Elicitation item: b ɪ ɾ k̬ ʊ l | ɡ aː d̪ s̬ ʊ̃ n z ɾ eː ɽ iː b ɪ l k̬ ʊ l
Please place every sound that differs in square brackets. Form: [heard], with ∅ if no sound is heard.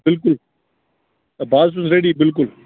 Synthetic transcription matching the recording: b ɪ [l] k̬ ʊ l | [b] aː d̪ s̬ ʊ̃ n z ɾ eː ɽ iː b ɪ l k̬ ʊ l